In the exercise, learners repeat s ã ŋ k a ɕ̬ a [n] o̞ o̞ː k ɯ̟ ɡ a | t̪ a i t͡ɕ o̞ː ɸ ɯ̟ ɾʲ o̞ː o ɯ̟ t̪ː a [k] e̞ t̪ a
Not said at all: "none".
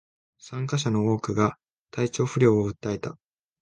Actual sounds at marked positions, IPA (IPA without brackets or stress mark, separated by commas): n, none